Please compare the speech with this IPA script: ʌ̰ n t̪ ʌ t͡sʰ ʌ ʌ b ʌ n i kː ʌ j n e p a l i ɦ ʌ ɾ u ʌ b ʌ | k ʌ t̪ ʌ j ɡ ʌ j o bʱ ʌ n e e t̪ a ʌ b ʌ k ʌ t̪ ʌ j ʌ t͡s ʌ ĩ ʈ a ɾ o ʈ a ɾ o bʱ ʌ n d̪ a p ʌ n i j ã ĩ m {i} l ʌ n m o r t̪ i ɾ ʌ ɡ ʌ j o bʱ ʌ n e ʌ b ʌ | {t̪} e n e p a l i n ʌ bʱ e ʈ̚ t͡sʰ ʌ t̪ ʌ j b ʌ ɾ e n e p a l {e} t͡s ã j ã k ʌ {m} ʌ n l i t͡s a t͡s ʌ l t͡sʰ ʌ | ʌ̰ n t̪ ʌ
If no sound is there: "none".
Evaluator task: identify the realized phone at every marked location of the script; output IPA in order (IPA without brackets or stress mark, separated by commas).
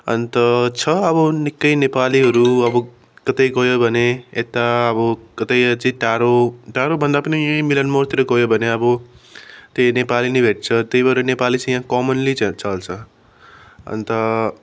i, t̪, i, m